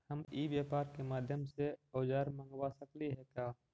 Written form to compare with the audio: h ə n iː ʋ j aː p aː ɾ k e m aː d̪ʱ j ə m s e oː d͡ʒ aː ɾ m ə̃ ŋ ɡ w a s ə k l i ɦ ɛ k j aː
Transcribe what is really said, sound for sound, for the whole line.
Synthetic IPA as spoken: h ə m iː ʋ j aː p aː ɾ k e m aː d̪ʱ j ə m s e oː d͡ʒ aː ɾ m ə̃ ŋ ɡ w a s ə k l i ɦ ɛ k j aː